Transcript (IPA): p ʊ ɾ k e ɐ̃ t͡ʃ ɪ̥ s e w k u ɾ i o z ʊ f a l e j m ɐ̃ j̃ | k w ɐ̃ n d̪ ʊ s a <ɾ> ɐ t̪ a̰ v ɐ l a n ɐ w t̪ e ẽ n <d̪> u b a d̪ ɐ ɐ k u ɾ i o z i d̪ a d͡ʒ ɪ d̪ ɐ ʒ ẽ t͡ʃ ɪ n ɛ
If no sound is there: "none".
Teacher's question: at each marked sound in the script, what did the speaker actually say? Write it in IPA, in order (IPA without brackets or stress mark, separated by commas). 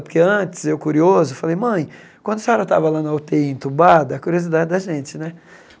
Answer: ɾ, t̪